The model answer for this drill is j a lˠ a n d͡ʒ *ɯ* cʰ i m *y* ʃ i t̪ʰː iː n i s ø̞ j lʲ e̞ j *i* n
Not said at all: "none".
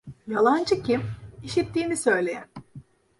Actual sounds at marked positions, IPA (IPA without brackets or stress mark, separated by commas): ɯ, i, æ